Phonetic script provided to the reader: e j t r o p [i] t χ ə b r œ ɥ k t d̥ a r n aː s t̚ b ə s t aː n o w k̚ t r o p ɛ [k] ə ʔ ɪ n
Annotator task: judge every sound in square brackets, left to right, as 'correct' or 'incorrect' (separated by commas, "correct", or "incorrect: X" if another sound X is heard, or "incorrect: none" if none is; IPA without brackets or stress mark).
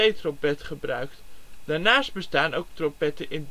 incorrect: ɛ, incorrect: t